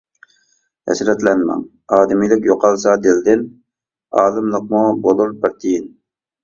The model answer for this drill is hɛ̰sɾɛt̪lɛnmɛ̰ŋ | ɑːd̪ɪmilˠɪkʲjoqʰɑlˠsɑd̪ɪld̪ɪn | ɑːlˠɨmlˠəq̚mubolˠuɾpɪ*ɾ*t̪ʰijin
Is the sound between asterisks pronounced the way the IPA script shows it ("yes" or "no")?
yes